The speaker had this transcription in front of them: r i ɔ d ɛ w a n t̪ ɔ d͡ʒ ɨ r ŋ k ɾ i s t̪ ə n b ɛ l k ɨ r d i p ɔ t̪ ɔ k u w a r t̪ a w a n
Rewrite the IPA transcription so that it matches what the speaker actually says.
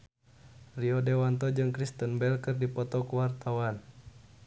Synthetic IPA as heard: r i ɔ d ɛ w a n t̪ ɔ d͡ʒ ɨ ŋ k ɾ i s t̪ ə n b ɛ l k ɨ r d i p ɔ t̪ ɔ k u w a r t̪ a w a n